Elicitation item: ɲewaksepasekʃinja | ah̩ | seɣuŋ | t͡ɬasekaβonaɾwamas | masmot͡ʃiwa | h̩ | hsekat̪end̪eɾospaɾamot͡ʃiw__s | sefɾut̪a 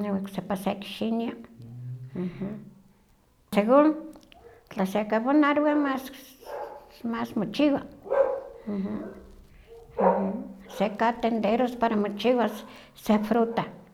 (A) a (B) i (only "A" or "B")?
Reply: A